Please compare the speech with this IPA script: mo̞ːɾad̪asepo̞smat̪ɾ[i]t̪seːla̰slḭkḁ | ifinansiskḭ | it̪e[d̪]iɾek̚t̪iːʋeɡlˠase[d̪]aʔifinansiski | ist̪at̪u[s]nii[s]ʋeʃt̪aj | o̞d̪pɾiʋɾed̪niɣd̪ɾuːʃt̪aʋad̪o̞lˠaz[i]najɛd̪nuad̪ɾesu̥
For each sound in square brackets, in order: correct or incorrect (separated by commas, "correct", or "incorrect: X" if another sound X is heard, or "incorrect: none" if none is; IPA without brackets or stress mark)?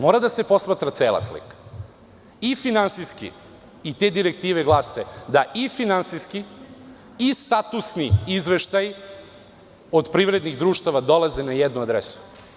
incorrect: a, correct, correct, correct, incorrect: z, incorrect: e